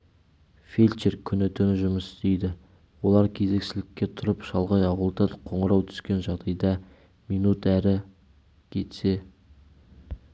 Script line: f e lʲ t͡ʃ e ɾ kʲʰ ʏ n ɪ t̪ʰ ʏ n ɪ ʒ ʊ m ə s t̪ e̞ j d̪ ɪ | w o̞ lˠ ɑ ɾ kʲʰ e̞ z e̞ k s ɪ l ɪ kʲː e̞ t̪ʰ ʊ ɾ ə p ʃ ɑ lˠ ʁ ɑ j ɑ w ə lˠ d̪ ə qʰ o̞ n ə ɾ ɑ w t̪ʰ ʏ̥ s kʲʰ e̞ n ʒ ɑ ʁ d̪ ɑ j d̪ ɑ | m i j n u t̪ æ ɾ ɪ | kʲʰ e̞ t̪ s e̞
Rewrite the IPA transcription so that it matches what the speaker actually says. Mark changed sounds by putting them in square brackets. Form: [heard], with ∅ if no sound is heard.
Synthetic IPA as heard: f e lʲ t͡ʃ e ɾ kʲʰ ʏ n ɪ t̪ʰ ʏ n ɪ ʒ ʊ m ə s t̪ e̞ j d̪ ɪ | w o̞ lˠ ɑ ɾ kʲʰ e̞ z e̞ k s ɪ l ɪ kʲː e̞ t̪ʰ ʊ ɾ ə p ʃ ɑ lˠ ʁ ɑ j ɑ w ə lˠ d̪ [ɑ] qʰ o̞ [ɴ] ə ɾ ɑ w t̪ʰ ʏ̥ s [kʲ] e̞ n ʒ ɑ ʁ d̪ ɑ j d̪ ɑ | m i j n u t̪ æ ɾ ɪ | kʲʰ e̞ t̪ s e̞